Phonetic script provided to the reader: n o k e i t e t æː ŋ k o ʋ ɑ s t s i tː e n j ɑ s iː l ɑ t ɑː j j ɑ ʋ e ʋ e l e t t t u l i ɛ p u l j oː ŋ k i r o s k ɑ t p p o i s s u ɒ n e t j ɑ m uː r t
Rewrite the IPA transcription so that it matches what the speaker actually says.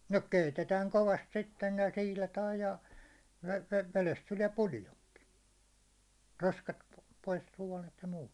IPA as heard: n o k e i t e t æː ŋ k o ʋ ɑ s t s i tː e n j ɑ s iː l ɑ t ɑː j j ɑ ʋ e ʋ e l e s t t u l i ɛ p u l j o ŋ k i r o s k ɑ t p p o i s s u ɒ n e t j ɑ m uː t